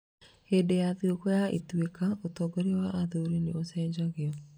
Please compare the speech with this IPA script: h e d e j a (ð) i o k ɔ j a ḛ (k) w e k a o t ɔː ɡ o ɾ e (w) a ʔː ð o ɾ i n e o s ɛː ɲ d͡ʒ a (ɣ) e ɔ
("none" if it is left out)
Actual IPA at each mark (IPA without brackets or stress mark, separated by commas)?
ð, t, w, ɣ